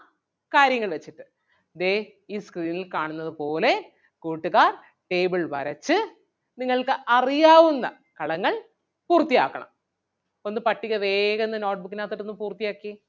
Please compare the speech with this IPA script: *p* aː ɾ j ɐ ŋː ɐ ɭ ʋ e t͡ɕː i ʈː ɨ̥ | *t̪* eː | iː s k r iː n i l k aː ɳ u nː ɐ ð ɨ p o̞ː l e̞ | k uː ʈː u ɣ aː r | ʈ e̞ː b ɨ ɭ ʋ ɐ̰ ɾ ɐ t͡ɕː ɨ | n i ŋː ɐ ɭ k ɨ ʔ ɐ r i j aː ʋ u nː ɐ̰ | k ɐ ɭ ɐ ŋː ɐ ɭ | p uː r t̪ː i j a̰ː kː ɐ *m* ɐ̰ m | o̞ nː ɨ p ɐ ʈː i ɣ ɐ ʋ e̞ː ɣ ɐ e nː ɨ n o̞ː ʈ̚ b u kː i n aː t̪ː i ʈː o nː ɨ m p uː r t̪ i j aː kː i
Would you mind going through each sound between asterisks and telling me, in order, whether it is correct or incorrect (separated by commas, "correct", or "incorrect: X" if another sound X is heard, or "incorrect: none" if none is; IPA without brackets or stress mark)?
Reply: incorrect: k, incorrect: d̪, incorrect: ɳ